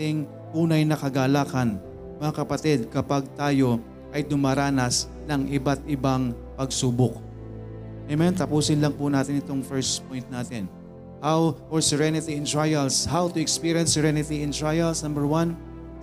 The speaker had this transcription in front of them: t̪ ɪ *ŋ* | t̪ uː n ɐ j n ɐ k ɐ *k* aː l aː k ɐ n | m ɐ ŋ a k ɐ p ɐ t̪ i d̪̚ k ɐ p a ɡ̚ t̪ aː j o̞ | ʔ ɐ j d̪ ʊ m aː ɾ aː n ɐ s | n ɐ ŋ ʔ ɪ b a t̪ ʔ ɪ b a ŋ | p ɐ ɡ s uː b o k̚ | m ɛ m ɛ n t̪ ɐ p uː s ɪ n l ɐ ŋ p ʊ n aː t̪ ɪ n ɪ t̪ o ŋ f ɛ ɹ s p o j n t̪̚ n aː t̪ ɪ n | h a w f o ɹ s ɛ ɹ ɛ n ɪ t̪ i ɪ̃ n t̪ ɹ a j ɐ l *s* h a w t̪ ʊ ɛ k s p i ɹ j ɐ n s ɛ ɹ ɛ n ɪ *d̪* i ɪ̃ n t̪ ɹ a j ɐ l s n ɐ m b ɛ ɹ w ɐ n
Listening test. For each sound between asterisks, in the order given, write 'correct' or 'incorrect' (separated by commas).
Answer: correct, incorrect, correct, incorrect